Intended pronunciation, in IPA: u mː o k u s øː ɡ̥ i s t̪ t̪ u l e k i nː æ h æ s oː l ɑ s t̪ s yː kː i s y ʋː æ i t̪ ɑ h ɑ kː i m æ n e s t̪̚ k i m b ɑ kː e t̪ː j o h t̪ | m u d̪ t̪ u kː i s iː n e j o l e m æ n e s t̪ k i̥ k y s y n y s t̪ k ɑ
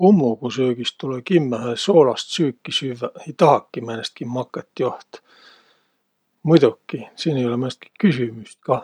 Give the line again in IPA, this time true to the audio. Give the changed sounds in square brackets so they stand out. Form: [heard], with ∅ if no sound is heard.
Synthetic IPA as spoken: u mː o k u s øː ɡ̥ i s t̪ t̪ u l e k i [mː] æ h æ s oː l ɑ s t̪ s yː kː i s y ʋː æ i t̪ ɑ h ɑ kː i m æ n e s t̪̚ k i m [m] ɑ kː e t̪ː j o h t̪ | m u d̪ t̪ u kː i s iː n e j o l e m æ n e s t̪ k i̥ k y s y [m] y s t̪ k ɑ